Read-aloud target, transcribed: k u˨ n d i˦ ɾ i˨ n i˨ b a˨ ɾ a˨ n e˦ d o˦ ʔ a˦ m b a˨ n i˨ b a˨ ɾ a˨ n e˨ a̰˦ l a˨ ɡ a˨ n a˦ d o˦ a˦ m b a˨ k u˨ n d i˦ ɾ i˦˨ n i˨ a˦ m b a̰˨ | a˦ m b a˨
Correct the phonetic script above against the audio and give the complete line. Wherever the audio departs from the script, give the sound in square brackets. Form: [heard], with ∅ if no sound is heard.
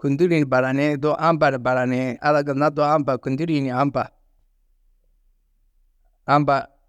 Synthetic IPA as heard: k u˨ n d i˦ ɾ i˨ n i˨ b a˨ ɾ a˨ n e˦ d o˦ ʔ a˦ m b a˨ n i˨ b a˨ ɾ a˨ n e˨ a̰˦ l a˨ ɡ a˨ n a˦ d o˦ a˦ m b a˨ k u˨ n d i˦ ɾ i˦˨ n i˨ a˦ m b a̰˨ | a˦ m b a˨